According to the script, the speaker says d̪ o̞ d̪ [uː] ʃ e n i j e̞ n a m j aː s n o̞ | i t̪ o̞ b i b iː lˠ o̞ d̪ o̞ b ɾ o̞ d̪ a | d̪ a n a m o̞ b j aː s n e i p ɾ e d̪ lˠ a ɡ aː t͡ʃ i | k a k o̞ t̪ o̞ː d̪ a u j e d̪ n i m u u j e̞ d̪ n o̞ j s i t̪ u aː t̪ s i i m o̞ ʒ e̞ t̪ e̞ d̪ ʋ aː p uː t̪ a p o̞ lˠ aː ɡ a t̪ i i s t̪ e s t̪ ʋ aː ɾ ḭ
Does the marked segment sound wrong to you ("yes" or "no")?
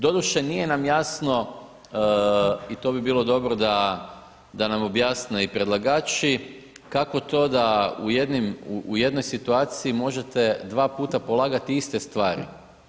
yes